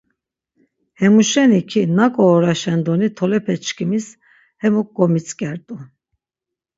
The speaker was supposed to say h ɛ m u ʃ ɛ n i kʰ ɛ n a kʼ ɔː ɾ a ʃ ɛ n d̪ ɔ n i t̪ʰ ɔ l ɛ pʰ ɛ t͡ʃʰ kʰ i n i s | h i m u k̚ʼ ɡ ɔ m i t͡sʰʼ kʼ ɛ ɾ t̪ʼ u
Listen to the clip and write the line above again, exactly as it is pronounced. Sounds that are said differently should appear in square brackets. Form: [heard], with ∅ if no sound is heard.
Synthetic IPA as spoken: h ɛ m u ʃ ɛ n i kʰ [i] n a kʼ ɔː ɾ a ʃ ɛ n d̪ ɔ n i t̪ʰ ɔ l ɛ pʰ ɛ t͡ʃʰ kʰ i [m] i s | h [ɛ] m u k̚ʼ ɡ ɔ m i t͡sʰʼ kʼ ɛ ɾ t̪ʼ u